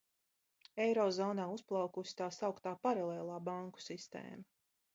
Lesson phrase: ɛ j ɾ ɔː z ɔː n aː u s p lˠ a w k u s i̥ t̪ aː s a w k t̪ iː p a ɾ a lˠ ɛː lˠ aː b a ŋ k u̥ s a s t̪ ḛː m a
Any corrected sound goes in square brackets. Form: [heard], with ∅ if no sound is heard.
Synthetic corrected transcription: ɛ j ɾ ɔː z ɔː n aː u s p lˠ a w k u s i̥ t̪ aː s a w k t̪ [aː] p a ɾ a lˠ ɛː lˠ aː b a ŋ k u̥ s [i] s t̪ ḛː m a